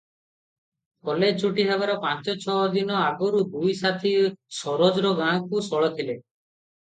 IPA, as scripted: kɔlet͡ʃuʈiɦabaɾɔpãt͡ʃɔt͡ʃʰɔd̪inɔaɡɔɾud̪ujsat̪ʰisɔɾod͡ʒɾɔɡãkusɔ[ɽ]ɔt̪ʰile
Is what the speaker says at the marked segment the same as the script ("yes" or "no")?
no